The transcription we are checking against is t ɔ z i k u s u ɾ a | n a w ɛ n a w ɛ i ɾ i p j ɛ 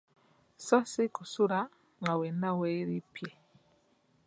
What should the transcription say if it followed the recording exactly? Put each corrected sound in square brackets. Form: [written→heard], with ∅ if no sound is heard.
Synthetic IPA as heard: [t→s] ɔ [z→s] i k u s u ɾ a | [n→ŋ] a w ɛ n a w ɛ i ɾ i p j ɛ